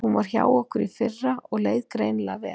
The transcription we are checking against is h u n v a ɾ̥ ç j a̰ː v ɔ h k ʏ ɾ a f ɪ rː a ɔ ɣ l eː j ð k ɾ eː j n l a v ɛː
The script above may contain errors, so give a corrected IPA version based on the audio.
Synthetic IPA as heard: h u n v a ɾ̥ ç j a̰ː w ɔ h k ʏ ɾ i f ɪ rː a ɔ ɣ l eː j ð k ɾ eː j n l a v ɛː